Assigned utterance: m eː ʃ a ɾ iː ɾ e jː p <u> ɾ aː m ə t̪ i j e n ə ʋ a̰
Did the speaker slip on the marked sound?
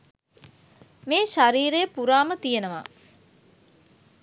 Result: no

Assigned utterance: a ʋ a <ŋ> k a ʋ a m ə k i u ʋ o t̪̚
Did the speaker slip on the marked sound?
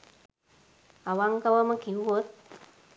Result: no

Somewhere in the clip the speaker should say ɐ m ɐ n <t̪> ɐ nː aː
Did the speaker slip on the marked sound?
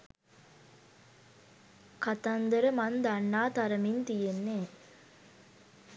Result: yes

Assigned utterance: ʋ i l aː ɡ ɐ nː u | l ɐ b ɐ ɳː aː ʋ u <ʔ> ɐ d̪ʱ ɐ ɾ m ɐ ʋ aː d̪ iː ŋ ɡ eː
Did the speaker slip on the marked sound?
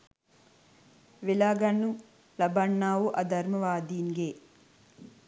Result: no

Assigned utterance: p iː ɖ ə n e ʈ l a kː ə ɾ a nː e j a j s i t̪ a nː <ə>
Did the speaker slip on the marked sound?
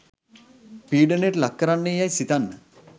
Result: no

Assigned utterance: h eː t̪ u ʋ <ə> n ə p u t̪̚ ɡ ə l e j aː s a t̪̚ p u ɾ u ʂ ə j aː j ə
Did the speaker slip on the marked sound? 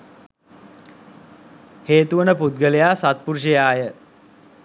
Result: no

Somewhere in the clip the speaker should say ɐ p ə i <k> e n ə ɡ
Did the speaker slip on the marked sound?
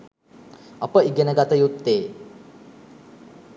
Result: yes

